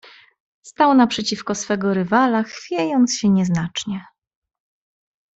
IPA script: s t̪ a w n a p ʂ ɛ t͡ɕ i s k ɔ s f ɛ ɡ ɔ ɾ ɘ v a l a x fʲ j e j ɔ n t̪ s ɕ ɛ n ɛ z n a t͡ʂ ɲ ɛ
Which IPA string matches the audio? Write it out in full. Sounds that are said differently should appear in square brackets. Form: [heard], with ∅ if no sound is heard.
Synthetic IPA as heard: s t̪ a w n a p ʂ ɛ t͡ɕ i [f] k ɔ s f ɛ ɡ ɔ ɾ ɘ v a l a x fʲ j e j ɔ n t̪ s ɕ ɛ [ɲ] ɛ z n a t͡ʂ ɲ ɛ